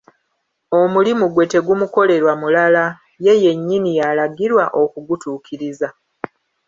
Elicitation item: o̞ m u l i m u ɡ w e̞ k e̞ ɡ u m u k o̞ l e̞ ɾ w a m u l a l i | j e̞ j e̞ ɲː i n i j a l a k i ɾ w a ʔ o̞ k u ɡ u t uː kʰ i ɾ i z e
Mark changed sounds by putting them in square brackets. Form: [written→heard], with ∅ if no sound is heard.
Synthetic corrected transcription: o̞ m u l i m u ɡ w e̞ [k→t] e̞ ɡ u m u k o̞ l e̞ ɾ w a m u l a l [i→a] | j e̞ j e̞ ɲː i n i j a l a [k→ɡ] i ɾ w a ʔ o̞ k u ɡ u t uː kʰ i ɾ i z [e→a]